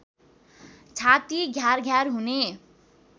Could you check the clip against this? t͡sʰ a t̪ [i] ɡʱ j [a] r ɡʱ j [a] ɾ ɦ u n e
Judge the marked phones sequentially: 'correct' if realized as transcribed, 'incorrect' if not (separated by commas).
correct, correct, correct